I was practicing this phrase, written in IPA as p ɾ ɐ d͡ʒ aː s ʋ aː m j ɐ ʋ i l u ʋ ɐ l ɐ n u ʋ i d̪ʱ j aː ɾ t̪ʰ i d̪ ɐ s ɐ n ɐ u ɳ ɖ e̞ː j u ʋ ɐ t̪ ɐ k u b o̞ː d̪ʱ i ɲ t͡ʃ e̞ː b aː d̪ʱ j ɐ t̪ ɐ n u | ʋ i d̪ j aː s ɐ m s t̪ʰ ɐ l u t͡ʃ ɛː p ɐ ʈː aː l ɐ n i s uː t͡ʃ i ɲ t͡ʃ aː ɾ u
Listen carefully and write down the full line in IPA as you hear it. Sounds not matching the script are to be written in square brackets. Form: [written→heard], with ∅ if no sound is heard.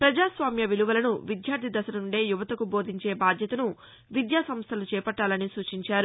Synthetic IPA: p ɾ ɐ d͡ʒ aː s ʋ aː m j ɐ ʋ i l u ʋ ɐ l ɐ n u ʋ i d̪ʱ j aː ɾ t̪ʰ i d̪ ɐ s ɐ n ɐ u ɳ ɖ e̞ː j u ʋ ɐ t̪ ɐ k u b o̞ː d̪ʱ i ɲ t͡ʃ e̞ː b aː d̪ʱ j ɐ t̪ ɐ n u | ʋ i d̪ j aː s ɐ m s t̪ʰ ɐ l u t͡ʃ ɛː p ɐ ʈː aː l ɐ n i s uː t͡ʃ i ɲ t͡ʃ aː ɾ u

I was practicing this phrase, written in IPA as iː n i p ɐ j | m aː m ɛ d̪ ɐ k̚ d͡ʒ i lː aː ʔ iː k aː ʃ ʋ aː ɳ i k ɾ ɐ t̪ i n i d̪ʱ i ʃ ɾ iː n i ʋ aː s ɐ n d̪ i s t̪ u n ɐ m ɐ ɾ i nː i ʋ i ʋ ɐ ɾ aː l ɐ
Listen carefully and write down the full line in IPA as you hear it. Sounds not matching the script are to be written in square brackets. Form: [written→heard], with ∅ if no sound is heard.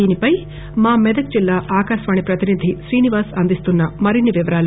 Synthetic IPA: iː n i p ɐ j | m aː m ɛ d̪ ɐ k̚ d͡ʒ i lː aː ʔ [iː→aː] k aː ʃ ʋ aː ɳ i [k→p] ɾ ɐ t̪ i n i d̪ʱ i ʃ ɾ iː n i ʋ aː s ɐ n d̪ i s t̪ u [n→nː] ɐ m ɐ ɾ i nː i ʋ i ʋ ɐ ɾ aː l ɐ

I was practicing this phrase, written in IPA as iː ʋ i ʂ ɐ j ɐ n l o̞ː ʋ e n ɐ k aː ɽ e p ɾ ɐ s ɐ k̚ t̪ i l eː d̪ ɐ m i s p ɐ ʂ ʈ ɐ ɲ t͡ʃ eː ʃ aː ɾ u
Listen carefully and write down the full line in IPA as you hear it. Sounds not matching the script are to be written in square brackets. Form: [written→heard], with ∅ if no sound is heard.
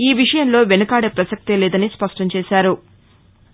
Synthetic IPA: iː ʋ i ʂ ɐ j ɐ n l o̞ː ʋ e n ɐ k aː ɽ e p ɾ ɐ s ɐ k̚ t̪ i l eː d̪ ɐ [m→n] i s p ɐ ʂ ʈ ɐ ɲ t͡ʃ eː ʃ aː ɾ u

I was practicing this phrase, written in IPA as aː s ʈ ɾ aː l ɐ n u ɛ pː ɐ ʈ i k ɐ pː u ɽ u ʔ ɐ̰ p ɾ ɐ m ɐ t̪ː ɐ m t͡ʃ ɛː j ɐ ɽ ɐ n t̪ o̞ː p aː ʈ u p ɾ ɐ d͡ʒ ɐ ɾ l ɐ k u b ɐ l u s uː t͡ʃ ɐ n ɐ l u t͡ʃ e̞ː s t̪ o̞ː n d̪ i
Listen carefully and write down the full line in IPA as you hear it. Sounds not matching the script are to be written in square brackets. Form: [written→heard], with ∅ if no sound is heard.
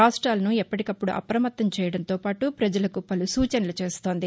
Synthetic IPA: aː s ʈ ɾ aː l ɐ n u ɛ pː ɐ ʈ i k ɐ pː u ɽ u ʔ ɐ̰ p ɾ ɐ m ɐ t̪ː ɐ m t͡ʃ ɛː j ɐ ɽ ɐ n t̪ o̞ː p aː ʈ u p ɾ ɐ d͡ʒ ɐ [ɾ→∅] l ɐ k u [b→p] ɐ l u s uː t͡ʃ ɐ n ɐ l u t͡ʃ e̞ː s t̪ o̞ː n d̪ i

